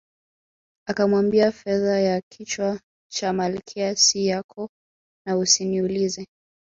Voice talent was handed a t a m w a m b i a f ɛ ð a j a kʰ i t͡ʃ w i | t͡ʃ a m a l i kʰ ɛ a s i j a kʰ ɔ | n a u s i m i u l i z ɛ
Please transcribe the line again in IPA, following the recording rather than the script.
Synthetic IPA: a k a m w a m b i a f ɛ ð a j a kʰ i t͡ʃ w a | t͡ʃ a m a l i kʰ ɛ a s i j a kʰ ɔ | n a u s i n i u l i z ɛ